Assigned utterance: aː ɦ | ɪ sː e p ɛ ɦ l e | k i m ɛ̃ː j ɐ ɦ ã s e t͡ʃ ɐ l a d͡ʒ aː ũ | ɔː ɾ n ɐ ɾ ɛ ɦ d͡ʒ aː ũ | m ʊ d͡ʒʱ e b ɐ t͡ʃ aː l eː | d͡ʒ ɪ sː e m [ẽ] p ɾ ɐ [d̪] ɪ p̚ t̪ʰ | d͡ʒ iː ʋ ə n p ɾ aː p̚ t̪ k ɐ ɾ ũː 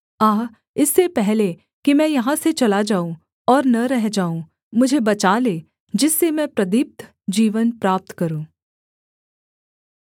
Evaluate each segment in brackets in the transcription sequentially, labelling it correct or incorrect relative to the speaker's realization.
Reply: incorrect: ɛ̃, correct

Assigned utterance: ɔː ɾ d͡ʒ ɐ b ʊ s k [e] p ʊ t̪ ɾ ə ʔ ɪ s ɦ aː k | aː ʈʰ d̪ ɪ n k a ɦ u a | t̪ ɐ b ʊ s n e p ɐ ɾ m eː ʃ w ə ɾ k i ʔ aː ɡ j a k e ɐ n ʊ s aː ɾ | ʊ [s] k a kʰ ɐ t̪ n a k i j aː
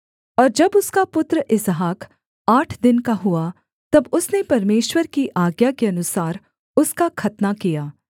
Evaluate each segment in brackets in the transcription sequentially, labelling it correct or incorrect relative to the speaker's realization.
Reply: incorrect: a, correct

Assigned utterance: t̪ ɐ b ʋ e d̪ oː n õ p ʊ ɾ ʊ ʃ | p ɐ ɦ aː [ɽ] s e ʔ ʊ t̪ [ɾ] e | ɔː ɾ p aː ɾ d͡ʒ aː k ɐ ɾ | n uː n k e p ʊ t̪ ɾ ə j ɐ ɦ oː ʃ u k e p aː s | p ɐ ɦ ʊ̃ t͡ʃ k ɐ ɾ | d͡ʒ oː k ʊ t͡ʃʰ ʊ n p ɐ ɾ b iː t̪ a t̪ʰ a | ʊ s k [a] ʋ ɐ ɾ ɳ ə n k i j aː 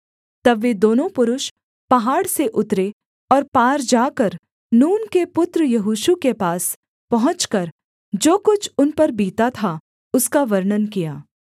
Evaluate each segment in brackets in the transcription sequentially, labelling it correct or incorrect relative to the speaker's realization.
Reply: correct, correct, correct

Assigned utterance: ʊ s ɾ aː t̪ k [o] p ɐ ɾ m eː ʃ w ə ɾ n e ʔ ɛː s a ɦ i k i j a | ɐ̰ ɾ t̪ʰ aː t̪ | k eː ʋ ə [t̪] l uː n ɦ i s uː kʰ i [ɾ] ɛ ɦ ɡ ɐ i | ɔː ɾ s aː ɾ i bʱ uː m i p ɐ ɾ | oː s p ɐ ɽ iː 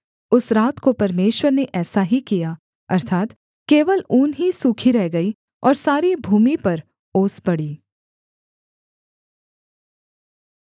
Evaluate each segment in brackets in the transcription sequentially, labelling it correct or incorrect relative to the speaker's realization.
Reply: correct, incorrect: none, correct

